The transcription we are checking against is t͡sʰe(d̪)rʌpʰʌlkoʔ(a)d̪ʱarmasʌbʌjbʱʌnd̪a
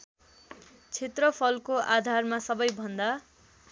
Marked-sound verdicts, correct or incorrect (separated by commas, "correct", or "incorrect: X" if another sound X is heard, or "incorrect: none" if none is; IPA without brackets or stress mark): incorrect: t̪, correct